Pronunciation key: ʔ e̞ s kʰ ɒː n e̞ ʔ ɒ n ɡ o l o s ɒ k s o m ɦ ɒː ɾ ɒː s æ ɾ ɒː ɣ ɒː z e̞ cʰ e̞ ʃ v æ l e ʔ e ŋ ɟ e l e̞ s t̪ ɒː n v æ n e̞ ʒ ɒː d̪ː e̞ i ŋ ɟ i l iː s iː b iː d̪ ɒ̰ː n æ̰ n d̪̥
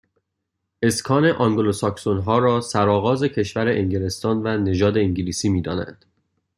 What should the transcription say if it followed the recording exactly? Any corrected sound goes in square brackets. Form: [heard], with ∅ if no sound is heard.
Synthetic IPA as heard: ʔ e̞ s kʰ ɒː n e̞ ʔ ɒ [ŋ] ɡ o l o s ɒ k s o [n] ɦ ɒː ɾ ɒː s æ ɾ ɒː ɣ ɒː z e̞ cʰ e̞ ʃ v æ [ɾ] e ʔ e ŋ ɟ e l e̞ s t̪ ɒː n v æ n e̞ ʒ ɒː [d̪] e̞ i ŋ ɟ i l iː s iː [m] iː d̪ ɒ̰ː n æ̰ n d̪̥